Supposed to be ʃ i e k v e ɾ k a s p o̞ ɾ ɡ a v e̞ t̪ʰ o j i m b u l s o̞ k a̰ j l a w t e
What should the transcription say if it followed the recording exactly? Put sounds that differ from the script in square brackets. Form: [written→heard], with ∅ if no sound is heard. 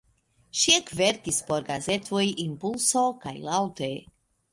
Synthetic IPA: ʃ i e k v e ɾ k [a→i] s p o̞ ɾ ɡ a [v→z] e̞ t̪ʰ o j i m [b→p] u l s o̞ k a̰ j l a w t e